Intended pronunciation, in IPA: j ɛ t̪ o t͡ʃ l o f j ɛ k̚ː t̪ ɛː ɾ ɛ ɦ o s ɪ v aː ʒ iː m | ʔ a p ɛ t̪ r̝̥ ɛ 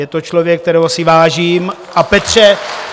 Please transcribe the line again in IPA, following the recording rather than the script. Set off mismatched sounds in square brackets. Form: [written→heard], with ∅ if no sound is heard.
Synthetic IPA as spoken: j ɛ t̪ o t͡ʃ l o [f→v] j ɛ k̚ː t̪ [ɛː→ɛ] ɾ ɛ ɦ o s ɪ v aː ʒ iː m | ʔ a p ɛ t̪ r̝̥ ɛ

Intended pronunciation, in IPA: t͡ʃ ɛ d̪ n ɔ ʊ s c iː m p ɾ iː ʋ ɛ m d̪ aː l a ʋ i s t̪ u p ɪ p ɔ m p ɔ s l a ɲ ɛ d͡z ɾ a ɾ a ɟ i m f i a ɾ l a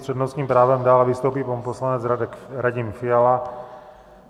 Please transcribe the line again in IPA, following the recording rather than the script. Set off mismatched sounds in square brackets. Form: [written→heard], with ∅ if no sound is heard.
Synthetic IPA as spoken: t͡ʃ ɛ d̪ n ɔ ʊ s [c→k] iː m p ɾ [iː→aː] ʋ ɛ m d̪ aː l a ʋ i s t̪ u p [ɪ→i] p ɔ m p ɔ s l a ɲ ɛ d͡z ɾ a ɾ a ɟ i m f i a [ɾ→∅] l a

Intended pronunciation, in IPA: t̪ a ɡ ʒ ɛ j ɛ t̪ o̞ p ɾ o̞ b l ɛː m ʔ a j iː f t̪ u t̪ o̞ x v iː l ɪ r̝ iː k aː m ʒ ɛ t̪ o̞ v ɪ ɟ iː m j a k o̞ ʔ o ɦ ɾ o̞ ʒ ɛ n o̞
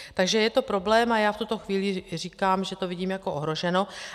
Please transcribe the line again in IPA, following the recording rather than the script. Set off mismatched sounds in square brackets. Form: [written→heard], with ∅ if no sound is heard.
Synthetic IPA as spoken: t̪ a ɡ ʒ ɛ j ɛ t̪ o̞ p ɾ o̞ b l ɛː m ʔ a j [iː→aː] f t̪ u t̪ o̞ x v iː l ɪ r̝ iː k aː m ʒ ɛ t̪ o̞ v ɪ ɟ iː m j a k o̞ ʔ o ɦ ɾ o̞ ʒ ɛ n o̞

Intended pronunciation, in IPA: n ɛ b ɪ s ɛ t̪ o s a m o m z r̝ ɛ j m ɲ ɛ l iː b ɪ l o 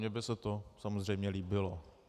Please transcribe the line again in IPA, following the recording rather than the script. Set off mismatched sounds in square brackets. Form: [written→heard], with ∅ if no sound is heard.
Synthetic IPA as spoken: [n→ɲ] ɛ b ɪ s ɛ t̪ o s a m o [m→∅] z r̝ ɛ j m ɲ ɛ l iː b ɪ l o

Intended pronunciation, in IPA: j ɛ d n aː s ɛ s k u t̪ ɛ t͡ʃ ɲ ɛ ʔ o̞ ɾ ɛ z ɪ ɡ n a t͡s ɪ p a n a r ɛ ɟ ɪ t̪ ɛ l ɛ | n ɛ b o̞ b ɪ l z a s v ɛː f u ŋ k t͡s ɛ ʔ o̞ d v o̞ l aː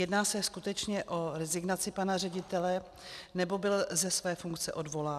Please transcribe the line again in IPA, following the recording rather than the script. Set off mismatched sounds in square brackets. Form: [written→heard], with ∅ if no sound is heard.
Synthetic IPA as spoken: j ɛ d n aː s ɛ s k u t̪ ɛ t͡ʃ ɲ ɛ ʔ o̞ ɾ ɛ z ɪ ɡ n a t͡s ɪ p a n a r ɛ ɟ ɪ t̪ ɛ l ɛ | n ɛ b o̞ b ɪ l z [a→ɛ] s v ɛː f u ŋ k t͡s ɛ ʔ o̞ d v o̞ l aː

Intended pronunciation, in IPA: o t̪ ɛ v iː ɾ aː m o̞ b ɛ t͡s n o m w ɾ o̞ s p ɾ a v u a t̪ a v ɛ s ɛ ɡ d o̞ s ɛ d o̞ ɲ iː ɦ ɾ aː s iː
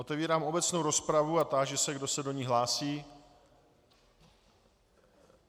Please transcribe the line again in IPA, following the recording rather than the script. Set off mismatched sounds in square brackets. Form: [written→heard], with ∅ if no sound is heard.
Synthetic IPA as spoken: o t̪ ɛ v iː ɾ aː m o̞ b ɛ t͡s n o [m→∅] w ɾ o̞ s p ɾ a v u a t̪ a [v→ʒ] ɛ s ɛ ɡ d o̞ s ɛ d o̞ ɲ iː ɦ [ɾ→l] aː s iː

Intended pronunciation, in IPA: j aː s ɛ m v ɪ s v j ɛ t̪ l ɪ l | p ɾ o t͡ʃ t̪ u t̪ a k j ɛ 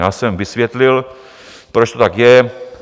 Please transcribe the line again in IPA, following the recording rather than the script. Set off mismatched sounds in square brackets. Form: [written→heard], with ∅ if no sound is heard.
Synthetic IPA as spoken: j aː s ɛ m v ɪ s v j ɛ t̪ l ɪ l | p ɾ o t͡ʃ t̪ [u→o] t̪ a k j ɛ

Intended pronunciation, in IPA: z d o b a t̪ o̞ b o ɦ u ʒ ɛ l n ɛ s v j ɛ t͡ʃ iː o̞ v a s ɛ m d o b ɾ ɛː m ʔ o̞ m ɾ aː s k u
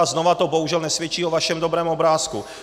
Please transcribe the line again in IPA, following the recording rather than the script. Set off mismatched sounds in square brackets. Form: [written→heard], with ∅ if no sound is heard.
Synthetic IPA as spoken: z [d→n] o [b→v] a t̪ o̞ b o ɦ u ʒ ɛ l n ɛ s v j ɛ t͡ʃ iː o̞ v a [s→ʃ] ɛ m d o b ɾ ɛː m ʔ o̞ [m→b] ɾ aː s k u

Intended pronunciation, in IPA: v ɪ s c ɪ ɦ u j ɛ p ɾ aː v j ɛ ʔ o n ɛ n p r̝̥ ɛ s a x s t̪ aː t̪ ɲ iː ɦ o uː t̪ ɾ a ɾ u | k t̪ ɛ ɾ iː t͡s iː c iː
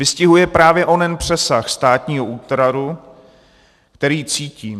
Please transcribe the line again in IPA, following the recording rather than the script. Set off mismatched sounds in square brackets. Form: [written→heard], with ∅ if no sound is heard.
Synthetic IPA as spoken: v ɪ s c ɪ ɦ u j ɛ p ɾ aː v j ɛ ʔ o n ɛ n p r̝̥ ɛ s a x s t̪ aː t̪ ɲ iː ɦ o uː t̪ ɾ a ɾ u | k t̪ ɛ ɾ iː t͡s iː c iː

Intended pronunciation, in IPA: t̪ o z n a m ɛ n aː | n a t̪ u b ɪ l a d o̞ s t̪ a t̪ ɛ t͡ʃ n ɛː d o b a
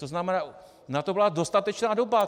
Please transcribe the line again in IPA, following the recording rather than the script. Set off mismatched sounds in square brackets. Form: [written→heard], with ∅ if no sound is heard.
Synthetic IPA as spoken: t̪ o z n a m ɛ n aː | n a t̪ [u→o] b ɪ l a d o̞ s t̪ a t̪ ɛ t͡ʃ n [ɛː→aː] d o b a

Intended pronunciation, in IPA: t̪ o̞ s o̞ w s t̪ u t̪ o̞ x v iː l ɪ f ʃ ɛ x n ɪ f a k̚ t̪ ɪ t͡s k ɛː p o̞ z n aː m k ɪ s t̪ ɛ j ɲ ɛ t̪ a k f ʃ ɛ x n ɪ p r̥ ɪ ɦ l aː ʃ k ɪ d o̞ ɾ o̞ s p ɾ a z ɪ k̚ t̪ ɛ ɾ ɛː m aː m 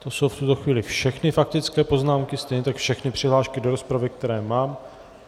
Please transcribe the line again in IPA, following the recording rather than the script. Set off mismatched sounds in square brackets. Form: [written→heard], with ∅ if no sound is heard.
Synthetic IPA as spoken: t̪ o̞ s o̞ w [s→f] t̪ u t̪ o̞ x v iː l ɪ f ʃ ɛ x n ɪ f a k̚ t̪ ɪ t͡s k ɛː p o̞ z n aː m k ɪ s t̪ ɛ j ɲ ɛ t̪ a k f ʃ ɛ x n ɪ p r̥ ɪ ɦ l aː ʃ k ɪ d o̞ ɾ o̞ s p ɾ a [z→v] ɪ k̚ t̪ ɛ ɾ ɛː m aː m

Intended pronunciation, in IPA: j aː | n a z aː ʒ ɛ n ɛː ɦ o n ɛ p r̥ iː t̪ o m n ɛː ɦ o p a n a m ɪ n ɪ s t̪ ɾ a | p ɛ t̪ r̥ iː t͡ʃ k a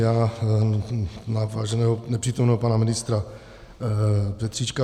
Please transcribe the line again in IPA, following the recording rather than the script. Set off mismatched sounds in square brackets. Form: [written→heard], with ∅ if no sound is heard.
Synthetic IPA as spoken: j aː | n a [z→v] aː ʒ ɛ n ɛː ɦ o n ɛ p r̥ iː t̪ o m n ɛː ɦ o p a n a m ɪ n ɪ s t̪ ɾ a | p ɛ t̪ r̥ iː t͡ʃ k a

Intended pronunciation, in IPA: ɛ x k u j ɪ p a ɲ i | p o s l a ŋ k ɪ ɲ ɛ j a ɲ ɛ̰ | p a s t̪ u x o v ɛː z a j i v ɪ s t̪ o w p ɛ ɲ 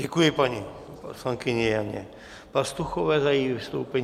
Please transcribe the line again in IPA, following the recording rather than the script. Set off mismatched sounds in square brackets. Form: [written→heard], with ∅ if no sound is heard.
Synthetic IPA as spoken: ɛ [x→∅] k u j ɪ p a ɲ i | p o s l a ŋ k ɪ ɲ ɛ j a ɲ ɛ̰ | p a s t̪ u x o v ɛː z a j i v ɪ s t̪ o w p ɛ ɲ

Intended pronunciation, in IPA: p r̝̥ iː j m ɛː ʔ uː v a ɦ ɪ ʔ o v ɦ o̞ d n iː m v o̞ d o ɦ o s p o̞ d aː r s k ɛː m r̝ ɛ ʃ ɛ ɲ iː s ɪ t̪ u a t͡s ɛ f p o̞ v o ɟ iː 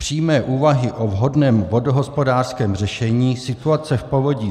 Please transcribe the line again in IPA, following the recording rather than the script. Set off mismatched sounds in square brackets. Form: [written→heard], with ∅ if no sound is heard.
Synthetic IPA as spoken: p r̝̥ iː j m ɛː ʔ uː v a ɦ ɪ ʔ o v ɦ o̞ d n [iː→ɛː] m v o̞ d o ɦ o s p o̞ d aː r s k ɛː m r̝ ɛ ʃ ɛ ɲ iː s ɪ t̪ u a t͡s ɛ f p o̞ v o ɟ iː

